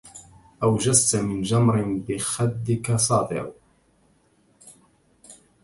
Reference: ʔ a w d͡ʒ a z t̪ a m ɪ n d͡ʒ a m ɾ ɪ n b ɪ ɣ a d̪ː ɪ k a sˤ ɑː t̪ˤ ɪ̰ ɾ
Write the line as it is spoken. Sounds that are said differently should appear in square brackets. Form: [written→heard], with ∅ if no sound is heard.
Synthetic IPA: ʔ a w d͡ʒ a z t̪ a m ɪ n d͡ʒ a m ɾ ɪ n b ɪ [ɣ→x] a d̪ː ɪ k a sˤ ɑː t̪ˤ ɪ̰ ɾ